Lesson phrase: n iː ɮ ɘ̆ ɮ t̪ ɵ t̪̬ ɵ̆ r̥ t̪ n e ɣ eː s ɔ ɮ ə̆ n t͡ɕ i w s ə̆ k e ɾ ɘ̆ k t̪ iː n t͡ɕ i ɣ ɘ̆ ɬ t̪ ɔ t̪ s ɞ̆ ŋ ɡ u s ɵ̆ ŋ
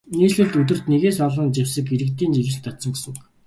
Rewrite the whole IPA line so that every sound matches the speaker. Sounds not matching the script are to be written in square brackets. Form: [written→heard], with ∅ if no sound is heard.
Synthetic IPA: n iː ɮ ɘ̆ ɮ t̪ ɵ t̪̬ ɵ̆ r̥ t̪ n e ɣ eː s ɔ ɮ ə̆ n t͡ɕ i w s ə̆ k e ɾ ɘ̆ k t̪ iː n t͡ɕ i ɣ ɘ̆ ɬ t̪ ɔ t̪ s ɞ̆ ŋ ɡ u s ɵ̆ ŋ